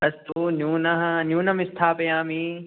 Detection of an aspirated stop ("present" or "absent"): present